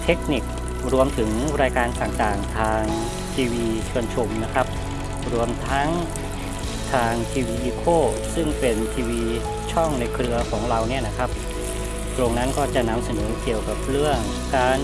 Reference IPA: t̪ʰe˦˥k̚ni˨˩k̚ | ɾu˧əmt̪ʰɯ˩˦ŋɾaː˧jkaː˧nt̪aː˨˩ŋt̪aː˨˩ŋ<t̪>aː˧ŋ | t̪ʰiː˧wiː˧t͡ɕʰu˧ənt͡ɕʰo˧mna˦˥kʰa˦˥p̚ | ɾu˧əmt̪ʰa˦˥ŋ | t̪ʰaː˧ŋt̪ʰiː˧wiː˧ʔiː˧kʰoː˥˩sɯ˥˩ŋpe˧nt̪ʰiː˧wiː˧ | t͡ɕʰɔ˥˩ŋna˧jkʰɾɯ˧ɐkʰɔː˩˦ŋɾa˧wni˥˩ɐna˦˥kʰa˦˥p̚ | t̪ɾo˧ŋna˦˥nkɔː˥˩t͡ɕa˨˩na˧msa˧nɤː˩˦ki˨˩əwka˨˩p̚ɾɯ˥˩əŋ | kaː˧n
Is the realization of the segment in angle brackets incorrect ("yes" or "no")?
yes